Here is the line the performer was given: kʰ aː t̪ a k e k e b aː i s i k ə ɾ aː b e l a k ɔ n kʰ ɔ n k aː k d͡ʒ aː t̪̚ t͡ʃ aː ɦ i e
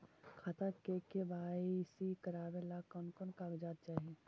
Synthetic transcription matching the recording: kʰ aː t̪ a k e k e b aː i s i k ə ɾ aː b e l a k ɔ n k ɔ n k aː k d͡ʒ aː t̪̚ t͡ʃ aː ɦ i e